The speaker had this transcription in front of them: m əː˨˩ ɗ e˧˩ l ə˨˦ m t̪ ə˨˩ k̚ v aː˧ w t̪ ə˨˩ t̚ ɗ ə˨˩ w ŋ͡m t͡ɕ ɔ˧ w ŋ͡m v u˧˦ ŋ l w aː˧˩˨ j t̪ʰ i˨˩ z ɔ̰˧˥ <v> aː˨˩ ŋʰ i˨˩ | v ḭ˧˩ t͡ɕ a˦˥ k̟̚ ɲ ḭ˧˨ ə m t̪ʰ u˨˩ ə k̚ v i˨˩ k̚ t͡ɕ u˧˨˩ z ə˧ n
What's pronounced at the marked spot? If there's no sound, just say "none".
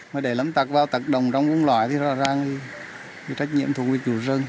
z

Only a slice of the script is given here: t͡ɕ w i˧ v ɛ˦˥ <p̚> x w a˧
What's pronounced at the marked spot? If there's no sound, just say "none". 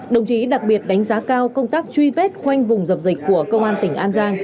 t̚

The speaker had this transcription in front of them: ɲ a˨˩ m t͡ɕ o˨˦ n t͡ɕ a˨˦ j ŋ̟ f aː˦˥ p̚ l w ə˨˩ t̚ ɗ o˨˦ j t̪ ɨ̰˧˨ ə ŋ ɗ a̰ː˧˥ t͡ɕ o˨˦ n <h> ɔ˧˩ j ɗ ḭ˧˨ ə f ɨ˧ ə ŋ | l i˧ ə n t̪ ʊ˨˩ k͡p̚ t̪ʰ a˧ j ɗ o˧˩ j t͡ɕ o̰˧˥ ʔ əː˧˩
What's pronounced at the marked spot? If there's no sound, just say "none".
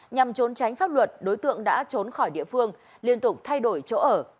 x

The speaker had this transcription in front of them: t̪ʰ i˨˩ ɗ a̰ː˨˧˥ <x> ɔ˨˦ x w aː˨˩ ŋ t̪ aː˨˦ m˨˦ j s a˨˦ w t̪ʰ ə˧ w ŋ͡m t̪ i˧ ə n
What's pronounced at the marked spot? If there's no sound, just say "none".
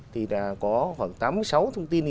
k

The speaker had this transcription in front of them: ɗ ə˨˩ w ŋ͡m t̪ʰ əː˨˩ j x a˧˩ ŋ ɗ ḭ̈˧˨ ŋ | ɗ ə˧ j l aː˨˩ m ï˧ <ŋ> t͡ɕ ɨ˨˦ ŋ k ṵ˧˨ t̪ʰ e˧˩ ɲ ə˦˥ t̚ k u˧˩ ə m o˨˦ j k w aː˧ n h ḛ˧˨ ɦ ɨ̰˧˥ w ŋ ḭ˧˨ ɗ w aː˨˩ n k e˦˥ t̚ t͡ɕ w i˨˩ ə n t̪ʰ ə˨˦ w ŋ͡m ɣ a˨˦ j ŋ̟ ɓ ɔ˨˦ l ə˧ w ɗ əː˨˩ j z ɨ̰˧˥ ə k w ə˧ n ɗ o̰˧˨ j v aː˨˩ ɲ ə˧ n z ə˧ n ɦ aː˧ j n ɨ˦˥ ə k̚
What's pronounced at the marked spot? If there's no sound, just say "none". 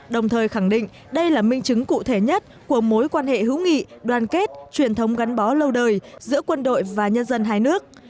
ŋ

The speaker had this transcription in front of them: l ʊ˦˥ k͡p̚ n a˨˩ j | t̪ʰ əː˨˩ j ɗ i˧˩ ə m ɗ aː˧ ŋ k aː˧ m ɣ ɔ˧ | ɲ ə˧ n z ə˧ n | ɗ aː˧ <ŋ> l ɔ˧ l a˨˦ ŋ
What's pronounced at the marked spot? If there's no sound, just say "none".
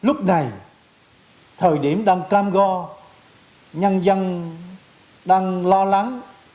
ŋ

